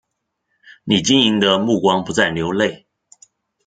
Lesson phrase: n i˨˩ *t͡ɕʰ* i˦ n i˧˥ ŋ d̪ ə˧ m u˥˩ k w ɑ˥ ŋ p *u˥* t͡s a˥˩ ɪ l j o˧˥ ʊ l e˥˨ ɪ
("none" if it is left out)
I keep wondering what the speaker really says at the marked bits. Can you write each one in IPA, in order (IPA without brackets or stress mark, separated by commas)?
t͡ɕ, u˧˦